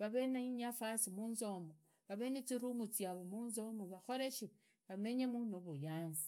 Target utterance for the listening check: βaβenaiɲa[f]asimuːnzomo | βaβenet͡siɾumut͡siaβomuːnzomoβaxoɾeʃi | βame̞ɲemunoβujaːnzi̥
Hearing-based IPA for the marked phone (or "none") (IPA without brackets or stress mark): f